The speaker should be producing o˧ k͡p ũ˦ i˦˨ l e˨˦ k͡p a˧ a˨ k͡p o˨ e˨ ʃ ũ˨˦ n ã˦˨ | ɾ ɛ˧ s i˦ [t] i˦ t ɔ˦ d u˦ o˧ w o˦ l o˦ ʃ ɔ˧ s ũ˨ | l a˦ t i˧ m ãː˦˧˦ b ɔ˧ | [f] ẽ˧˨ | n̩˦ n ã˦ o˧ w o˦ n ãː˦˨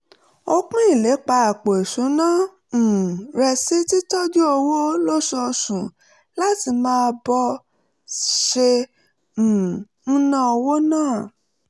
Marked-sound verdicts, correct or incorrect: correct, incorrect: ʃ

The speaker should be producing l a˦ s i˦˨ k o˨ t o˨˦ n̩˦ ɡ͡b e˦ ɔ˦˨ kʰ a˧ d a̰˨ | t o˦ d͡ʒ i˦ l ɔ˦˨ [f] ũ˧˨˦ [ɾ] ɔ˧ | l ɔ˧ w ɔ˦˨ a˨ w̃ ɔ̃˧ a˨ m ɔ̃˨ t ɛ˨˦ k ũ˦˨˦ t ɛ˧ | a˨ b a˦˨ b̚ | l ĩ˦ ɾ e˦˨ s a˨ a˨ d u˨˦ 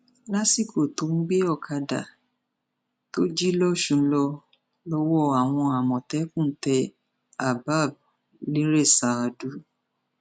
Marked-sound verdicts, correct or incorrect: incorrect: ʃ, incorrect: l

